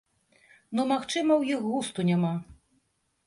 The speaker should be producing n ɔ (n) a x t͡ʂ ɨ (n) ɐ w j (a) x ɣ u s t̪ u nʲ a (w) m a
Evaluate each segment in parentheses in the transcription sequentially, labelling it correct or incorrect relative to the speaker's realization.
incorrect, incorrect, incorrect, incorrect

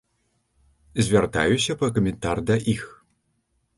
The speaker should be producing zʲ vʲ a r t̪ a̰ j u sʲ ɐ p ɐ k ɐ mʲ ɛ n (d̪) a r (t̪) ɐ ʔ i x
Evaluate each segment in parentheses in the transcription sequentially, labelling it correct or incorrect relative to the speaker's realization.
incorrect, incorrect

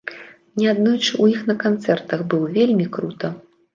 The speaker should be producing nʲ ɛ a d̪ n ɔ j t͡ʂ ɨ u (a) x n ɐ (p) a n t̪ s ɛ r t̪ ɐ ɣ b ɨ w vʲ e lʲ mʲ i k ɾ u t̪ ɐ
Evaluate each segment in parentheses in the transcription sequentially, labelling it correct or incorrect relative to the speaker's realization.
incorrect, incorrect

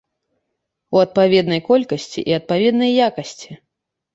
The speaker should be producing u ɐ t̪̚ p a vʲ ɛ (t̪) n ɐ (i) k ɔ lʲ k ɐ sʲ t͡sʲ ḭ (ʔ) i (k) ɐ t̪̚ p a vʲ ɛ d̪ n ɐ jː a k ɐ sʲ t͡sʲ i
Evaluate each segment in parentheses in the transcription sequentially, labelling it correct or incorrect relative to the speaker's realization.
incorrect, incorrect, correct, incorrect

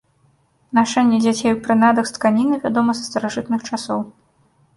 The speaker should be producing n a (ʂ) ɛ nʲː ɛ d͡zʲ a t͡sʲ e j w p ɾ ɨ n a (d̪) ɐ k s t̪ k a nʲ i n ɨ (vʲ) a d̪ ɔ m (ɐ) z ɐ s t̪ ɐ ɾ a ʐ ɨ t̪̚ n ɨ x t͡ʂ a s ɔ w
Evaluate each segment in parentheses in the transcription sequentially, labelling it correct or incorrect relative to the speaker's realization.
correct, correct, correct, correct

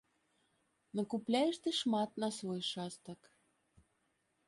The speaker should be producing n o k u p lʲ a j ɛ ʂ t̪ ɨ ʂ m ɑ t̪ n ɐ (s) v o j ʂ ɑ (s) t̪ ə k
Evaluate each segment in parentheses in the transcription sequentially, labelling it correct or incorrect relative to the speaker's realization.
correct, correct

